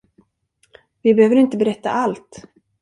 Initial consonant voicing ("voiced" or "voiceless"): voiced